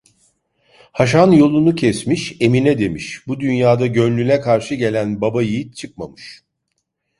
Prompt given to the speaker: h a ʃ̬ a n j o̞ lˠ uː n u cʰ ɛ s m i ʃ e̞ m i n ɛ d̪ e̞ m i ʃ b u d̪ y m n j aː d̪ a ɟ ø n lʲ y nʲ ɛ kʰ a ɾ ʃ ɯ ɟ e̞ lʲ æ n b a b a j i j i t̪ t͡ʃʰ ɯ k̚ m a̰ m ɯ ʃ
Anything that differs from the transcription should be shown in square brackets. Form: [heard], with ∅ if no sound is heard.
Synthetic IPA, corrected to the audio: h a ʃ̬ a n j o̞ lˠ [u] n u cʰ ɛ s m i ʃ e̞ m i n ɛ d̪ e̞ m i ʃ b u d̪ y [∅] n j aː d̪ a ɟ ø n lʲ y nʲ ɛ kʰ a ɾ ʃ ɯ ɟ e̞ lʲ æ n b a b a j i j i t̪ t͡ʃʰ ɯ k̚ m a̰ m ɯ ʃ